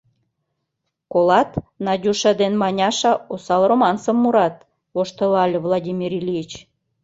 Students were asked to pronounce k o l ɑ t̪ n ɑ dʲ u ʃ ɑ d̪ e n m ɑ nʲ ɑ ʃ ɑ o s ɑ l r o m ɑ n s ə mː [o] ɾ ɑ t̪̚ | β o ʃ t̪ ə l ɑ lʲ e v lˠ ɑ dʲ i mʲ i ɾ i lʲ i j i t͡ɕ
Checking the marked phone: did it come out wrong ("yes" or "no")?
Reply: yes